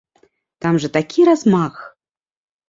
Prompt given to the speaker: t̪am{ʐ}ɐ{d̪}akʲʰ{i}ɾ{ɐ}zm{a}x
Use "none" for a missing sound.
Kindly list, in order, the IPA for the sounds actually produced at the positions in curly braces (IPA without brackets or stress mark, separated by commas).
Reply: ʐ, t̪, i, a, a